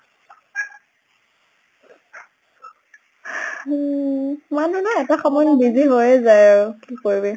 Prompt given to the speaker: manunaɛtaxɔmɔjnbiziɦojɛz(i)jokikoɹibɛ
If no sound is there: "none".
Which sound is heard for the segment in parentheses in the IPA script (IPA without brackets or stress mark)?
a